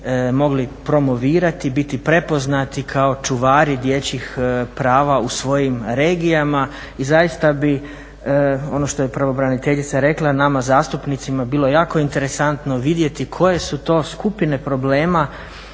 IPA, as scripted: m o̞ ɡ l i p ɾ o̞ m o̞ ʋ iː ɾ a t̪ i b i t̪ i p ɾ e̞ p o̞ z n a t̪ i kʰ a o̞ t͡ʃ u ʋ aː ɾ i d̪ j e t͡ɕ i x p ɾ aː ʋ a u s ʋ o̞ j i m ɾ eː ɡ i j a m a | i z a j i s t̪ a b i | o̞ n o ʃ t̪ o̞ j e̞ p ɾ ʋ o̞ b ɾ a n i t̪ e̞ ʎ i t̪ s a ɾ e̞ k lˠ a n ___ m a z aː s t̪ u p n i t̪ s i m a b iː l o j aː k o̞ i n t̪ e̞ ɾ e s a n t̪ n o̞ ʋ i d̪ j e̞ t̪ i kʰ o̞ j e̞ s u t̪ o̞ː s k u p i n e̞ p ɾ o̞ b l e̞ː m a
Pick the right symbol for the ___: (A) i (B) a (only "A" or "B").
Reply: B